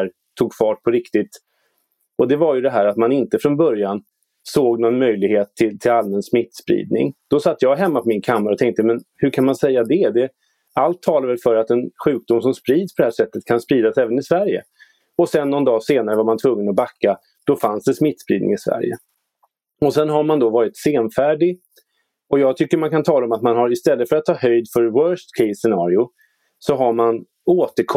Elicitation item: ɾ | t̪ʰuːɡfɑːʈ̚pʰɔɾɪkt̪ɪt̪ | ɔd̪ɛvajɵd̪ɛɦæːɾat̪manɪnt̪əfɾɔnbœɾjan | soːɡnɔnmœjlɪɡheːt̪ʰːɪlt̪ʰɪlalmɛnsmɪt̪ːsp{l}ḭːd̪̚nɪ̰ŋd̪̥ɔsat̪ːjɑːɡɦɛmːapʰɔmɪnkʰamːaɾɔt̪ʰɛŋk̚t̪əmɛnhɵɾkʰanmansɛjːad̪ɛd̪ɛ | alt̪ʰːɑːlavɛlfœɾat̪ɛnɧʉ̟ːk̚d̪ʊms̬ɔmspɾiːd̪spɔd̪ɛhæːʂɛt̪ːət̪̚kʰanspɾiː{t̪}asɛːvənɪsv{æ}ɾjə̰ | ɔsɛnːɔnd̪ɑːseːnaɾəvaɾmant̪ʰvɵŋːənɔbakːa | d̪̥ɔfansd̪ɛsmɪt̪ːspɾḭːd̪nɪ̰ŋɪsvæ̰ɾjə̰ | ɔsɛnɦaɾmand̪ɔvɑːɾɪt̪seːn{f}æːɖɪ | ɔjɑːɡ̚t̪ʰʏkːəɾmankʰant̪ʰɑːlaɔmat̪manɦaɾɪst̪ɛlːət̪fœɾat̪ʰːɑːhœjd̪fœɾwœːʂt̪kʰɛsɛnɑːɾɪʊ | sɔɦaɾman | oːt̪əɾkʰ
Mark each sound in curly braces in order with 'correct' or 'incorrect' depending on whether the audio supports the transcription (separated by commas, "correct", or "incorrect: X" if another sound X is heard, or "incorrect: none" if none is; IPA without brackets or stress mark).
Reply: incorrect: ɾ, incorrect: d̪, correct, correct